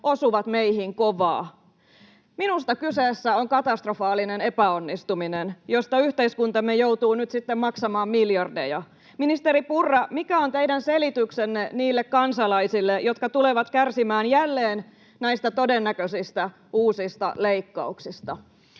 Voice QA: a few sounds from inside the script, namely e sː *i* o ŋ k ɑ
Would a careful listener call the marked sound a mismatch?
yes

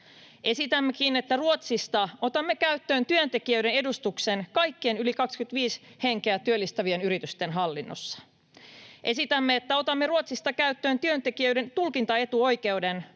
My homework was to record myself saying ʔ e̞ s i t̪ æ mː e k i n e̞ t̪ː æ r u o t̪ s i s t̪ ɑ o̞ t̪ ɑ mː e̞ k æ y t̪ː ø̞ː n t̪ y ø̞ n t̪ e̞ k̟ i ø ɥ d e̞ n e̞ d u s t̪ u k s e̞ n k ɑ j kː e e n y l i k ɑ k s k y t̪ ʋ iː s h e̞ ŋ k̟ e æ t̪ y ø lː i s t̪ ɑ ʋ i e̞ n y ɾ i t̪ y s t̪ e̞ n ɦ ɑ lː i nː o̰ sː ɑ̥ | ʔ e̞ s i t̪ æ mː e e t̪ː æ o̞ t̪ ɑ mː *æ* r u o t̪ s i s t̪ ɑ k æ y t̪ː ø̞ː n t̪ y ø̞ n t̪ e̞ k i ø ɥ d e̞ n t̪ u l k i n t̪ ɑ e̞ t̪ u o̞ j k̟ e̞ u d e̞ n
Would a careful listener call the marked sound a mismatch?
yes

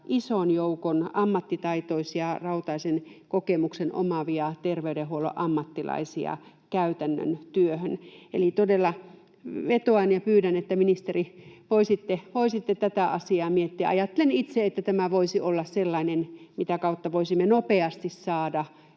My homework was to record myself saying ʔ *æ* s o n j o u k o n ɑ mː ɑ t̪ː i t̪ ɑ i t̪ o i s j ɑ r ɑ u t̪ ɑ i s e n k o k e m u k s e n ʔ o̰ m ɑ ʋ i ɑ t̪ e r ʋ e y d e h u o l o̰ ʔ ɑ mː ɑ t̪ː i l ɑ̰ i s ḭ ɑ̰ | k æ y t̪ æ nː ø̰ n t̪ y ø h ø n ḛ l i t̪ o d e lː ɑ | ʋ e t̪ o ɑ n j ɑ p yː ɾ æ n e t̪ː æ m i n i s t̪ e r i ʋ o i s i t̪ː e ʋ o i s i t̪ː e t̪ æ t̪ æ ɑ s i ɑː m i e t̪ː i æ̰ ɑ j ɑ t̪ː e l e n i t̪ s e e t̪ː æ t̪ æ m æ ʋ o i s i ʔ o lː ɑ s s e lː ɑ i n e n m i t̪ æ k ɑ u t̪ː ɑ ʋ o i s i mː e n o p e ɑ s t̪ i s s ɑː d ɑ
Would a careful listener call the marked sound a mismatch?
yes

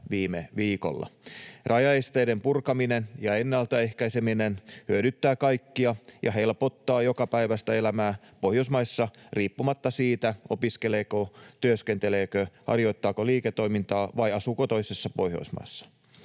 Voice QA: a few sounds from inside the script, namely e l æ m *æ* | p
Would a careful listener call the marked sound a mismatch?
yes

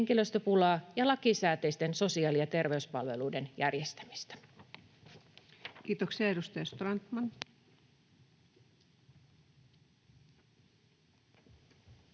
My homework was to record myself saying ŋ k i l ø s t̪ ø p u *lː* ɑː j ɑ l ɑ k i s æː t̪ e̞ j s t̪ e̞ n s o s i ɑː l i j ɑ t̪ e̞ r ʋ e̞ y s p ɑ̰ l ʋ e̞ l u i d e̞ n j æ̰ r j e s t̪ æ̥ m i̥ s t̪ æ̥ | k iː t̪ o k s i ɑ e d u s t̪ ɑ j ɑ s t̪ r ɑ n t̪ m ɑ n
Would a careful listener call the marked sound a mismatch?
yes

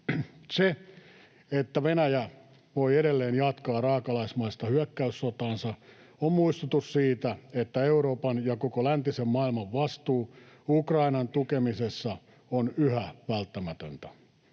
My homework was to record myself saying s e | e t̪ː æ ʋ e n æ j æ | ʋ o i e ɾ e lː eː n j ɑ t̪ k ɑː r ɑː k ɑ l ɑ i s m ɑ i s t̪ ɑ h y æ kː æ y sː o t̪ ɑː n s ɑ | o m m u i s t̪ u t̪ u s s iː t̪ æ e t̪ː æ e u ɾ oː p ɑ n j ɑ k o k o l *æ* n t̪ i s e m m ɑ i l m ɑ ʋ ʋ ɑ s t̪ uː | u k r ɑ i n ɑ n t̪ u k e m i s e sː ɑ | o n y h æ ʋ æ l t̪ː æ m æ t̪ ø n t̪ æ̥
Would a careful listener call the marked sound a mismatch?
no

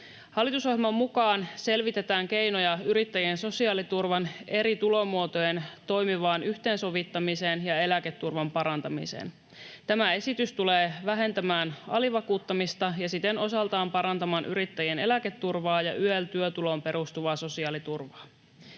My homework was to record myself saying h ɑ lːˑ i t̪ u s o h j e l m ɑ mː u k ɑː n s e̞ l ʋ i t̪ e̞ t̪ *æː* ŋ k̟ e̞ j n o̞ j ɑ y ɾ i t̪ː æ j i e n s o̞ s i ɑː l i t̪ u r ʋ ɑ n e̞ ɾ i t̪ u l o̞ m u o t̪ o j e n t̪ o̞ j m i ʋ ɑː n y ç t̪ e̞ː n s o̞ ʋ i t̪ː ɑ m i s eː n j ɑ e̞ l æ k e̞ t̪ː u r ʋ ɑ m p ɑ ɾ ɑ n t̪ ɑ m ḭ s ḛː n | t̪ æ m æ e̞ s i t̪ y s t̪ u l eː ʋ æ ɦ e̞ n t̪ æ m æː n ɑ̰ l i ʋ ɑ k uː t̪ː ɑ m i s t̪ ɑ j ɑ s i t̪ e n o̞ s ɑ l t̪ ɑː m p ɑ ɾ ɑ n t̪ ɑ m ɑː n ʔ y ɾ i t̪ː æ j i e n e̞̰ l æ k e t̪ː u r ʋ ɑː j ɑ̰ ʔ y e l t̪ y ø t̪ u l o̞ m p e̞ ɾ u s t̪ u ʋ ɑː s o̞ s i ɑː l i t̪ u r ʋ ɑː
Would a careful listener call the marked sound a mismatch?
no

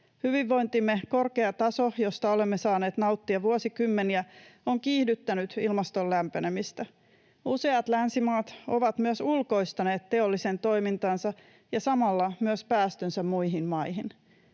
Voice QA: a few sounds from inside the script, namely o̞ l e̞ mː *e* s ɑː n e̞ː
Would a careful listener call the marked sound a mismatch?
no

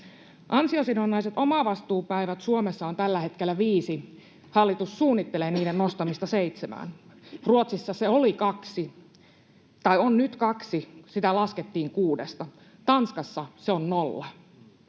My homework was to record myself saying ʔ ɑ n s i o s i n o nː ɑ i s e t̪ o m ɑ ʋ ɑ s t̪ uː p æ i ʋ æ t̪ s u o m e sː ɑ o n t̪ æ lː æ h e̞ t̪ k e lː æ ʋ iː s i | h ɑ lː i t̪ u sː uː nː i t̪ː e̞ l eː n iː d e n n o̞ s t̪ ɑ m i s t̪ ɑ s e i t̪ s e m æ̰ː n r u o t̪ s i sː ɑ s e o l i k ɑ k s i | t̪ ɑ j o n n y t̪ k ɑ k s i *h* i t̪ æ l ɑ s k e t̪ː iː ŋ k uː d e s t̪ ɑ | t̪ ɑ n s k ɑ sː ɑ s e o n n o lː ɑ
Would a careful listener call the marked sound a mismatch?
yes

